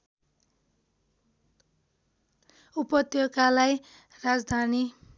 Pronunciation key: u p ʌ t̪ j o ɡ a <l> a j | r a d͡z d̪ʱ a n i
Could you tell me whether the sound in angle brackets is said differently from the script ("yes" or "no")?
no